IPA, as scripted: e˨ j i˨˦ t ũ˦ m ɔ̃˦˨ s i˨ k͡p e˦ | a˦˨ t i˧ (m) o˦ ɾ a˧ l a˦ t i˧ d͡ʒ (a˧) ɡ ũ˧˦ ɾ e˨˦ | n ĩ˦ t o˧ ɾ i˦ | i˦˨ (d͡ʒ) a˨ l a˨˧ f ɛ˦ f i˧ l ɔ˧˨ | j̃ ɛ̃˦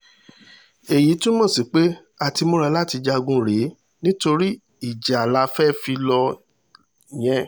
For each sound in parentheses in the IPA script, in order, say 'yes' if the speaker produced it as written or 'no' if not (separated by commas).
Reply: yes, yes, yes